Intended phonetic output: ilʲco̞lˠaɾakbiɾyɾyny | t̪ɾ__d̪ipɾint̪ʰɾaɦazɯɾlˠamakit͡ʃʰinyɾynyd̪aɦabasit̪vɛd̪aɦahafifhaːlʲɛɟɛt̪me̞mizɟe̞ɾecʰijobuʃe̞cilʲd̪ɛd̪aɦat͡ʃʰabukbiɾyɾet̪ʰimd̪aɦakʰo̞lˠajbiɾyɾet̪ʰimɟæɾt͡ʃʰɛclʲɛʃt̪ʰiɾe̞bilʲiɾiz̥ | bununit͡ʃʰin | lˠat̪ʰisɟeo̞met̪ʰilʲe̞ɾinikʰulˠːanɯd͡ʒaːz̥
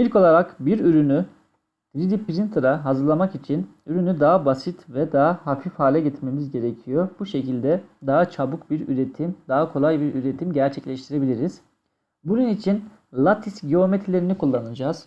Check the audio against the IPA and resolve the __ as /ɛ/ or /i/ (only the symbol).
i